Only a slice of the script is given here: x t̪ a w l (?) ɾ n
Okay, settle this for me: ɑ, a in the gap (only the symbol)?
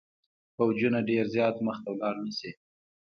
ɑ